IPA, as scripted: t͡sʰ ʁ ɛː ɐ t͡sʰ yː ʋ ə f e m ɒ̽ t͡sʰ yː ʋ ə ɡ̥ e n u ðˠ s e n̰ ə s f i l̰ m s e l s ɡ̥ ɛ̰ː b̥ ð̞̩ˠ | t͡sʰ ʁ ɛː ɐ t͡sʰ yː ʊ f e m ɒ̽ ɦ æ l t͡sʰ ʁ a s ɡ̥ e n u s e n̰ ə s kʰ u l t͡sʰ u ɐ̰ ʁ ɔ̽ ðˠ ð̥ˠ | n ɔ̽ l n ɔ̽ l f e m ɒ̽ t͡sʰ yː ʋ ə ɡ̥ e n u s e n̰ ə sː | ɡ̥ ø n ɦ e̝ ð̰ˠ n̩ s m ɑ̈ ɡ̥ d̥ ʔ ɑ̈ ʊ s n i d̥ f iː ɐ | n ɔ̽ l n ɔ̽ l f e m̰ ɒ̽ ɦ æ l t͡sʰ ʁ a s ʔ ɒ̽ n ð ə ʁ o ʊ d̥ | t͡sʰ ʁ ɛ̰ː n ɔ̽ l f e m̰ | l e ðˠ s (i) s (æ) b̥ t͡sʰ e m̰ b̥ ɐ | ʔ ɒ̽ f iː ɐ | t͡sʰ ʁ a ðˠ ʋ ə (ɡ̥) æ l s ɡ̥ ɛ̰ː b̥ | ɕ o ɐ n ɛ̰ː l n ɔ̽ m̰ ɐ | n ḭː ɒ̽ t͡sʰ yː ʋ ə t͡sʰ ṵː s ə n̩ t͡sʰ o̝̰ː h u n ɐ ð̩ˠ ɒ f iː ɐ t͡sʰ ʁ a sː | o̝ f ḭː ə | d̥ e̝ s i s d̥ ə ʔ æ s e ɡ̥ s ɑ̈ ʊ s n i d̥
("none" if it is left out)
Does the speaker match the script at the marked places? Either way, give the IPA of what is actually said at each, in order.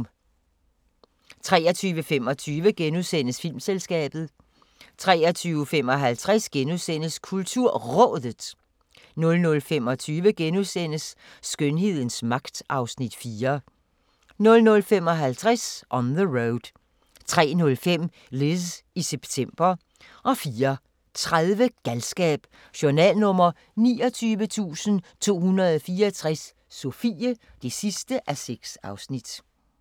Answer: i, e, ɡ̥

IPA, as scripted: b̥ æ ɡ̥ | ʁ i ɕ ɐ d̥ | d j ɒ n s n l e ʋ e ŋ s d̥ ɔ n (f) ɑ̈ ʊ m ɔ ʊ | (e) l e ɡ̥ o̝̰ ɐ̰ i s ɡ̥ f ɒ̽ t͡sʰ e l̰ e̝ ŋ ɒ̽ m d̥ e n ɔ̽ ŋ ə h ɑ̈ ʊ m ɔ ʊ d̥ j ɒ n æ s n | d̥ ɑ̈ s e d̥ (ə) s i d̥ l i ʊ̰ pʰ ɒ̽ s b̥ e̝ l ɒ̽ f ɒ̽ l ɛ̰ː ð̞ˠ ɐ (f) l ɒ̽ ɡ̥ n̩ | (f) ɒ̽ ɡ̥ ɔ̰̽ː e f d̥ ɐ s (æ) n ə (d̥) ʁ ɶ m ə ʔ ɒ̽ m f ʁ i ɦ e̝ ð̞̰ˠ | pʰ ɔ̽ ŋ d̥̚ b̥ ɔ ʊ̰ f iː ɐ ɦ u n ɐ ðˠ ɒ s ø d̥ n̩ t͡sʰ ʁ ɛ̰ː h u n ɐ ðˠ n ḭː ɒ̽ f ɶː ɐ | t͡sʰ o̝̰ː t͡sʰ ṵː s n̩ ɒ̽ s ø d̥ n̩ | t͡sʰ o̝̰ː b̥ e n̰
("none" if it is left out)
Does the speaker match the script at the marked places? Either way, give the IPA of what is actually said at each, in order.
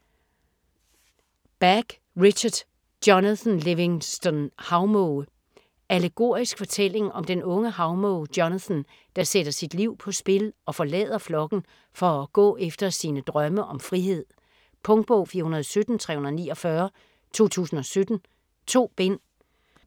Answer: h, æ, ɐ, f, f, i, d̥

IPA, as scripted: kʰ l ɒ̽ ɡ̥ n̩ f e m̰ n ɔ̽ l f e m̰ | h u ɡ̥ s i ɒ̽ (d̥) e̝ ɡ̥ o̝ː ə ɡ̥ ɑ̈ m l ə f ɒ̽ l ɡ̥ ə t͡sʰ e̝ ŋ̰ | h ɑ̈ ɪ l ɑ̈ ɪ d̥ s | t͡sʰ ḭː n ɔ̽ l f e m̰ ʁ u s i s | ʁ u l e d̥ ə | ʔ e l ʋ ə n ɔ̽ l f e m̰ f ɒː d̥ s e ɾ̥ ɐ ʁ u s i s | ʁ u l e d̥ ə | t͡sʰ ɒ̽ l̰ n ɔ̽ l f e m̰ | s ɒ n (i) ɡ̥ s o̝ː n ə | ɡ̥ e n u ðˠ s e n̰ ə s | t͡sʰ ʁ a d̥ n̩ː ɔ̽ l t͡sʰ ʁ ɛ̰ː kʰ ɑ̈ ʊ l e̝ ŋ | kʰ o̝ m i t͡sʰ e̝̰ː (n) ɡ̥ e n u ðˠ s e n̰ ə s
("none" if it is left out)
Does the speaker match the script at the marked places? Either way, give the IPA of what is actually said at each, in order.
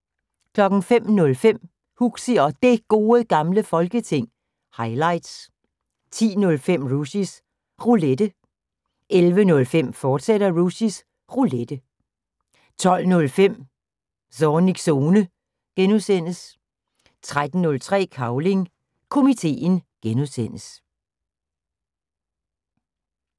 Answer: d̥, i, n

